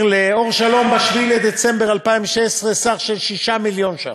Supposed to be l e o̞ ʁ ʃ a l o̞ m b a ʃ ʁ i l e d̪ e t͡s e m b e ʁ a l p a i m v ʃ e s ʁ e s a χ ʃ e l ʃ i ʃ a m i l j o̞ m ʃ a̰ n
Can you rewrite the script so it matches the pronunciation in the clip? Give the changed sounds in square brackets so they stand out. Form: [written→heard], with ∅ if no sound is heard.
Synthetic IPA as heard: l e o̞ ʁ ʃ a l o̞ m b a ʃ [ʁ→v] i l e d̪ e t͡s e m b e ʁ a l p a i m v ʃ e s ʁ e s a χ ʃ e l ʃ i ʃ a m i l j o̞ [m→n] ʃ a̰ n